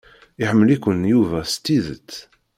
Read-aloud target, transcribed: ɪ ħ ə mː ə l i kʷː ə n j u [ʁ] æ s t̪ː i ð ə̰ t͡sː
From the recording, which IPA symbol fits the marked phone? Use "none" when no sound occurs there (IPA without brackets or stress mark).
v